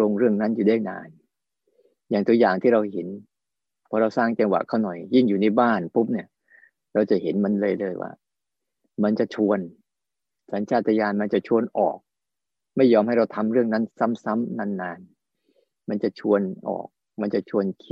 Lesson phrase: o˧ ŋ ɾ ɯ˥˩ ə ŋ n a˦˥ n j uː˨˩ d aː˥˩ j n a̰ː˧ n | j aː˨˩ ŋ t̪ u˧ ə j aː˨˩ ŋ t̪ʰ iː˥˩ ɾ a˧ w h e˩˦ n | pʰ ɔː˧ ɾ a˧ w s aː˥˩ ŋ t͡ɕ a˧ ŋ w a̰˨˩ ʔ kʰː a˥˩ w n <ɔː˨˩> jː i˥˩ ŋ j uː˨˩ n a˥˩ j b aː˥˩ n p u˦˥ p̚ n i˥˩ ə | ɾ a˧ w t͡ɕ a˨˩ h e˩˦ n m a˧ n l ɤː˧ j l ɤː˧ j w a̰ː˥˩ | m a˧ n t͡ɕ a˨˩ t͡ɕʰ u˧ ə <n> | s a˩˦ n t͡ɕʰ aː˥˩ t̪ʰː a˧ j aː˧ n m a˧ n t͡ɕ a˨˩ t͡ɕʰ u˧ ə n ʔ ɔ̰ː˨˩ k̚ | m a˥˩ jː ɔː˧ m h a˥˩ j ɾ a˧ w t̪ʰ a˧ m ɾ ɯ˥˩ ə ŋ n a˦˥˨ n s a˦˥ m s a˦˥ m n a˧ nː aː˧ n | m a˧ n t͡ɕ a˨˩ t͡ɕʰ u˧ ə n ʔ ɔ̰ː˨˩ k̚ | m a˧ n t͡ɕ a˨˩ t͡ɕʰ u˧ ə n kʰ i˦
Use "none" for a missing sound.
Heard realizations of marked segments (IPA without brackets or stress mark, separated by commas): ɔ˨˩, n